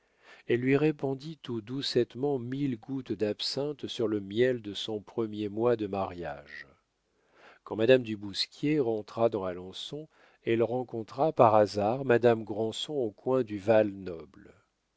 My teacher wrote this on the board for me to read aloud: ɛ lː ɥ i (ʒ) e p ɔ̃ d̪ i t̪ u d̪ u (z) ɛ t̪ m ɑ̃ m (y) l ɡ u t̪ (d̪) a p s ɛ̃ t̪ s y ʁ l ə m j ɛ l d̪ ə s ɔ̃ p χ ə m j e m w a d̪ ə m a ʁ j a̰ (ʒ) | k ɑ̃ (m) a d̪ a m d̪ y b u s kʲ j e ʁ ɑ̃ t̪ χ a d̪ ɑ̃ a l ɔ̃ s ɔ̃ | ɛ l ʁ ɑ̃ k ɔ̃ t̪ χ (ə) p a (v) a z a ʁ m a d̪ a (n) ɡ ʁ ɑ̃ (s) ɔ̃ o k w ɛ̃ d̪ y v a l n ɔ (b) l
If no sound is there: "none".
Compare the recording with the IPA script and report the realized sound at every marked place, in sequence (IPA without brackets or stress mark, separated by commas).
ʁ, s, i, d̪, ʒ, m, a, ʁ, m, s, b